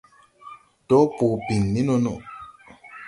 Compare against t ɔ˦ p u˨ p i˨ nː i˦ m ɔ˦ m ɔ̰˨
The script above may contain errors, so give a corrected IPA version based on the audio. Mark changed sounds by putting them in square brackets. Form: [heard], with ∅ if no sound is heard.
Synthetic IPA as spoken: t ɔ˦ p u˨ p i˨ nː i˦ [n] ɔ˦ [n] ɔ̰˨